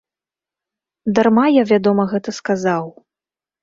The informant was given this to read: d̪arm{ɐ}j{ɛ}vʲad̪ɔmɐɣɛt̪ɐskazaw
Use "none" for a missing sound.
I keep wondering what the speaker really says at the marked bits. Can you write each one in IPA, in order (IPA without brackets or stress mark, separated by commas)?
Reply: a, a